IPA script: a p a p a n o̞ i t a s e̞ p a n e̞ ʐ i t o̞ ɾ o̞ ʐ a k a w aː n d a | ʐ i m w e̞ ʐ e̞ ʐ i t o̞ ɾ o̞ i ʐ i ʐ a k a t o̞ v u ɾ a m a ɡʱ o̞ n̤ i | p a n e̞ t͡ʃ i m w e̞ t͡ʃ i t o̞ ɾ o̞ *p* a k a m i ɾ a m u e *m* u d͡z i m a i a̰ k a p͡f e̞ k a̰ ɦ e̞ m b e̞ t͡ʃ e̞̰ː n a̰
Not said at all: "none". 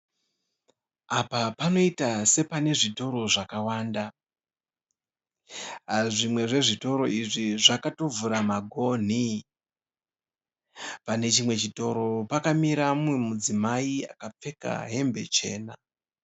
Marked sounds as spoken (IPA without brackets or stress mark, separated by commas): p, m